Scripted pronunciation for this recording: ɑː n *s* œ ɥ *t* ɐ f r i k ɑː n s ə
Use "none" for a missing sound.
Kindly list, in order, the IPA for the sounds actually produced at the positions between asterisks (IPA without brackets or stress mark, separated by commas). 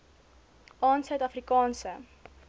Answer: s, t